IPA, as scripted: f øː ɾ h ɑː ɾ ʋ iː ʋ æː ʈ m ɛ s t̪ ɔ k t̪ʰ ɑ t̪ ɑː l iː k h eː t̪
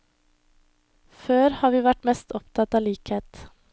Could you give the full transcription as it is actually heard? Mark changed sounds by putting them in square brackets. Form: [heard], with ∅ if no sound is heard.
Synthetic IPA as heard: f øː ɾ h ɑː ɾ ʋ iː ʋ [æ] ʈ m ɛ s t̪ ɔ [p] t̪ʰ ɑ t̪ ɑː l iː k h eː t̪